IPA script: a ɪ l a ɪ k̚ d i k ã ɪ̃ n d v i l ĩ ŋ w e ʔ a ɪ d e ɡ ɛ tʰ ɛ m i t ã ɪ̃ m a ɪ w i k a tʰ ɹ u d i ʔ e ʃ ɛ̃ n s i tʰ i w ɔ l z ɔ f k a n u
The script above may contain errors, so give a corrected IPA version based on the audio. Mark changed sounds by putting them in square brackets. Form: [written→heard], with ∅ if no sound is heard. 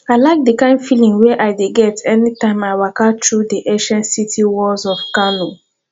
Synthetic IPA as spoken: a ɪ l a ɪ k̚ d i k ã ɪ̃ n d [v→f] i l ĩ ŋ w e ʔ a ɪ d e ɡ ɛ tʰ ɛ [m→n] i t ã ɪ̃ m a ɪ w [i→a] k a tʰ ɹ u d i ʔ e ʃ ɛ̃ n s i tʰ i w ɔ l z ɔ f k a n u